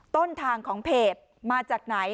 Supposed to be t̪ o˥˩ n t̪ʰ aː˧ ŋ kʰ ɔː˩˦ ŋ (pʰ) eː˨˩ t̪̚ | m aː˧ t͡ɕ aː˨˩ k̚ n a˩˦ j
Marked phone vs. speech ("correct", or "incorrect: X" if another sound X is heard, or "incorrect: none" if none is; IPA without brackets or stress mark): correct